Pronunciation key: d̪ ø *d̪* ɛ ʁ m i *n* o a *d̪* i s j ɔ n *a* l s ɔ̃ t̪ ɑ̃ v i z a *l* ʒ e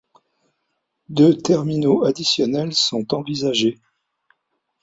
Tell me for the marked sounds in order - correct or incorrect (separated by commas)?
incorrect, correct, correct, incorrect, incorrect